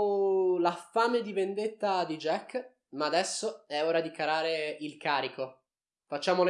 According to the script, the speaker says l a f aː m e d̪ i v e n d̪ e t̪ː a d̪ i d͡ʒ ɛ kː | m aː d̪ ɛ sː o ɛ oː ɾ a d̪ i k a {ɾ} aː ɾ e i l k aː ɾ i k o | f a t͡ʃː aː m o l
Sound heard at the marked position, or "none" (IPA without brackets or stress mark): ɾ